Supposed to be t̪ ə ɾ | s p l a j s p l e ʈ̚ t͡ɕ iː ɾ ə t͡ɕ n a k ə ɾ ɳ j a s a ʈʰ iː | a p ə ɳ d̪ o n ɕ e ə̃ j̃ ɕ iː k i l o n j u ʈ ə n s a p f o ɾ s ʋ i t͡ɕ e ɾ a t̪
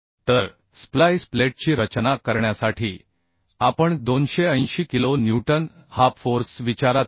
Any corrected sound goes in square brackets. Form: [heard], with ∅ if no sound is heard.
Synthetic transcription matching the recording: t̪ ə ɾ | s p l a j s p l e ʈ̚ t͡ɕ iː ɾ ə t͡ɕ n a k ə ɾ ɳ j a s a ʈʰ iː | a p ə ɳ d̪ o n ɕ e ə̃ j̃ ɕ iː k i l o n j u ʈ ə n [h] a p f o ɾ s ʋ i t͡ɕ [a] ɾ a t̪